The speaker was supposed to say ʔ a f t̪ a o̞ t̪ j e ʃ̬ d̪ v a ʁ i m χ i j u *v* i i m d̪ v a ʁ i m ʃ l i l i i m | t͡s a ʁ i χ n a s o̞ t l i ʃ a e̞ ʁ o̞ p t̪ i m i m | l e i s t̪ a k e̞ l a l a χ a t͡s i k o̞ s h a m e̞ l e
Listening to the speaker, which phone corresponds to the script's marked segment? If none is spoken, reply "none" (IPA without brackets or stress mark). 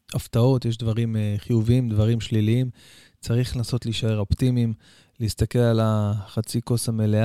v